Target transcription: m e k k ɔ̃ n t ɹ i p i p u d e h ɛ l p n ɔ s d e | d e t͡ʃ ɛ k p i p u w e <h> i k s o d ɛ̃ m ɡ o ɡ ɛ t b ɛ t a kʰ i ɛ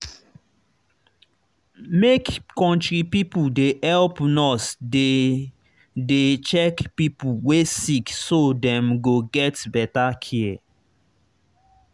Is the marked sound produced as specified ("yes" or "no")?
no